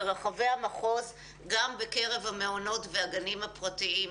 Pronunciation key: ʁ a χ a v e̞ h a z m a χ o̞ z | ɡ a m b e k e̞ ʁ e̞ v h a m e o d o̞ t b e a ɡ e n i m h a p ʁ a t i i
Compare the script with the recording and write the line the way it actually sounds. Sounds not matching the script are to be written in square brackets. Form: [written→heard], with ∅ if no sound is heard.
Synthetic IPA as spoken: ʁ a χ a v e̞ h a [z→∅] m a χ o̞ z | ɡ a m b e k e̞ ʁ e̞ v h a m e o [d→n] o̞ t [b→v] e a ɡ [e→a] n i m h a p ʁ a t i i

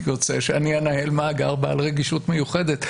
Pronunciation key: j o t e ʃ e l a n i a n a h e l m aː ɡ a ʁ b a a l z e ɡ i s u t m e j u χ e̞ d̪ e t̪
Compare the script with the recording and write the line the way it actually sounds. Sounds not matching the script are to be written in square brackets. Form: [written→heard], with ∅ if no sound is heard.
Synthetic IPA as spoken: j o [t→t͡s] e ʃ e [l→∅] a n i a n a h e l m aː ɡ a ʁ b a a l [z→ʁ] e ɡ i [s→ʃ] u t m e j u χ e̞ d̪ e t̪

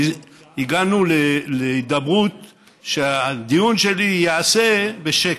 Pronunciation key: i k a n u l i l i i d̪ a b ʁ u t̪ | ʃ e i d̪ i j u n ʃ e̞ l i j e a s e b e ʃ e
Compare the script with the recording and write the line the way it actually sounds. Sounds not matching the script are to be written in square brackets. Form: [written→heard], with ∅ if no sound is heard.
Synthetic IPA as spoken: i [k→ɡ] a n u l [i→e] l [i→e] i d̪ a b ʁ u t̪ | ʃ e [i→a] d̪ i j u n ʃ e̞ l i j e a s e b e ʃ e

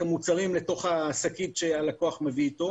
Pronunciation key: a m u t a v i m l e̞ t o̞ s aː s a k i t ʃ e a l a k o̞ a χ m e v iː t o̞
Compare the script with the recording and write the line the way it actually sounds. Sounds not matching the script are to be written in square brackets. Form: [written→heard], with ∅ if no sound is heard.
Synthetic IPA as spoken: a m u [t→t͡s] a [v→ʁ] i m l e̞ t o̞ [s→χ] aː s a k i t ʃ e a l a k o̞ a χ m e v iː t o̞

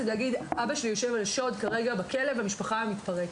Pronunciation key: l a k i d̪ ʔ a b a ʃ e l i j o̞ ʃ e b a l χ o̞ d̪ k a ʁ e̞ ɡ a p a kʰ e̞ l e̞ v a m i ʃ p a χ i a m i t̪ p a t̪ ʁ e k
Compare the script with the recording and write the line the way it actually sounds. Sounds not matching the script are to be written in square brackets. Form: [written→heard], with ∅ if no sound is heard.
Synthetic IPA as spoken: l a [k→ɡ] i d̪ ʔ a b a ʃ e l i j o̞ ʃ e [b→v] a l [χ→ʃ] o̞ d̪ k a ʁ e̞ ɡ a [p→b] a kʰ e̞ l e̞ v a m i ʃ p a χ [i→a] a m i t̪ p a [t̪→∅] ʁ e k

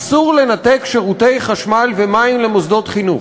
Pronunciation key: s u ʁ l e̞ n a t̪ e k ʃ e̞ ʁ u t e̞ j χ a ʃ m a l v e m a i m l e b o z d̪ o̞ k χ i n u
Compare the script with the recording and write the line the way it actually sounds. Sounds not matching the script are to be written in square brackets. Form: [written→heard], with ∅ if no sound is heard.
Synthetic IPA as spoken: s u ʁ l e̞ n a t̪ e k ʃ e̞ ʁ u t e̞ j χ a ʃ m a l v e m a i m l e [b→m] o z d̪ o̞ [k→t] χ i n u

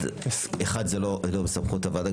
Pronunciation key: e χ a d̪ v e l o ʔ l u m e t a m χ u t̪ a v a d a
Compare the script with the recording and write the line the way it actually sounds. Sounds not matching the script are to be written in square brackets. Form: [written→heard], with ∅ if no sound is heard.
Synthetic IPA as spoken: e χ a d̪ [v→z] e l o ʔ l [u→o] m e [t→s] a m χ u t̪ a v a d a

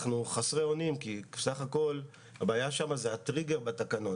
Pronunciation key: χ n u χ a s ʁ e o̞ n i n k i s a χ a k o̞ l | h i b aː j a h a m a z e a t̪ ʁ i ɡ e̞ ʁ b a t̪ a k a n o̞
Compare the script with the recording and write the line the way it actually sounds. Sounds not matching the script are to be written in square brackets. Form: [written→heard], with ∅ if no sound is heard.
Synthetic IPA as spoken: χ n u χ a s ʁ e o̞ n i [n→m] k i s a χ a k o̞ l | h [i→a] b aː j a [h→ʃ] a m a z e a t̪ ʁ i ɡ e̞ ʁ b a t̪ a k a n o̞

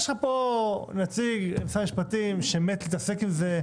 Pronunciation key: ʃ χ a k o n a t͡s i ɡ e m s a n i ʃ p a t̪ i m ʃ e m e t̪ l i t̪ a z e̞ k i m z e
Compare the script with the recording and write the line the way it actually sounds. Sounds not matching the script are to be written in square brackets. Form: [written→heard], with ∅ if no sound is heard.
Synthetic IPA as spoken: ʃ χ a [k→p] o n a t͡s i ɡ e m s a [n→m] i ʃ p a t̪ i m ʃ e m e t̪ l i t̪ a [z→s] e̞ k i m z e

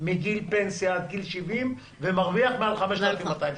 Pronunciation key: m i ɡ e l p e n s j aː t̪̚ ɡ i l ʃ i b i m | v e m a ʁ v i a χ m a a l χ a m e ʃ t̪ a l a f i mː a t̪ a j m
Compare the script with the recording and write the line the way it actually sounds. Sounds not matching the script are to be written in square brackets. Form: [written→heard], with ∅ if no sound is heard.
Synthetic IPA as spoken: m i ɡ [e→i] l p e n s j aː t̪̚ ɡ i l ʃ i [b→v] i m | v e m a ʁ v i a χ m [a→e] a l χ a m e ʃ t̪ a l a f i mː a t̪ a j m

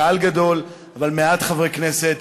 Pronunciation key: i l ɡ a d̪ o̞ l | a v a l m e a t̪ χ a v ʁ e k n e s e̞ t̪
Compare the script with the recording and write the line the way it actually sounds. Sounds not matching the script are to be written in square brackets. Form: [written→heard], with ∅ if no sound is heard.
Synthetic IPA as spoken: [i→a] l ɡ a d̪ o̞ l | a v a l m e a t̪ χ a v ʁ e k n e s e̞ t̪

